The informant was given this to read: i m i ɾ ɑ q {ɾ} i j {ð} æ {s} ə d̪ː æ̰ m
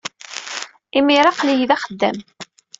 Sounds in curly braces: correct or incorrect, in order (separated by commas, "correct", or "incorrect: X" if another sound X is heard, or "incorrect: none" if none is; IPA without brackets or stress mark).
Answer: incorrect: l, correct, incorrect: χ